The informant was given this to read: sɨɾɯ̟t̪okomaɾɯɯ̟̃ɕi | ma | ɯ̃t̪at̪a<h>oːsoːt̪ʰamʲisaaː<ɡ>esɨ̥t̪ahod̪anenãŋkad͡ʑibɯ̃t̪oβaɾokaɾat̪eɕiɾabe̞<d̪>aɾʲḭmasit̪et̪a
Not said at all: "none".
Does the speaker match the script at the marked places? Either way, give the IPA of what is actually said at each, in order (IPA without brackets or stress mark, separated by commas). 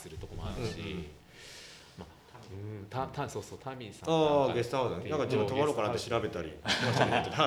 s, ɡ, t̪